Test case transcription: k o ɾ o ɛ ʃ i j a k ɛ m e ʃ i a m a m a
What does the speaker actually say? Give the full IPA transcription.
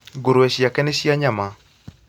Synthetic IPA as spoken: ɡ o ɾ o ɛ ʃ i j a k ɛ n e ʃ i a ɲ a m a